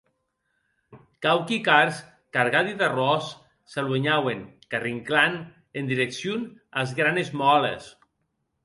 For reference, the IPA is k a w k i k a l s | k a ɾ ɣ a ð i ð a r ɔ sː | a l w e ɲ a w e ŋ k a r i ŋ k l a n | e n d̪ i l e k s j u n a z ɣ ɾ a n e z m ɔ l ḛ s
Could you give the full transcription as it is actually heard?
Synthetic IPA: k a w k i k a ɾ s | k a ɾ ɣ a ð i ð a r ɔ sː | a l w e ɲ a w e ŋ k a r i ŋ k l a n | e n d̪ i ɾ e k s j u n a z ɣ ɾ a n e z m ɔ l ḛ s